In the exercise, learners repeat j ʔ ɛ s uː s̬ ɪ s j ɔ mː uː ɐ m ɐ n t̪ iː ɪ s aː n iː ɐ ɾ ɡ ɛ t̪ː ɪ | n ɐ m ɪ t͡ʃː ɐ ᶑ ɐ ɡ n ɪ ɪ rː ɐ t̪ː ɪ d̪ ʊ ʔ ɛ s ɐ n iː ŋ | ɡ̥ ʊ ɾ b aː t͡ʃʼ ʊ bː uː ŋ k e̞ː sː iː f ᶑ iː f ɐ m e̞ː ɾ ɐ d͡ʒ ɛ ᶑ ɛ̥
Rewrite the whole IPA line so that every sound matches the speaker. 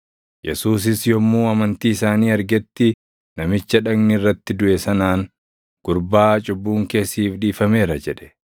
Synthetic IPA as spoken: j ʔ ɛ s uː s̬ ɪ s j ɔ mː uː ɐ m ɐ n t̪ iː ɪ s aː n iː ɐ ɾ ɡ ɛ t̪ː ɪ | n ɐ m ɪ t͡ʃː ɐ ᶑ ɐ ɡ n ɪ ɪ rː ɐ t̪ː ɪ d̪ ʊ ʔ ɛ s ɐ n aː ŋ | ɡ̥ ʊ ɾ b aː t͡ʃʼ ʊ bː uː ŋ k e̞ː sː iː f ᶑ iː f ɐ m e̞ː ɾ ɐ d͡ʒ ɛ ᶑ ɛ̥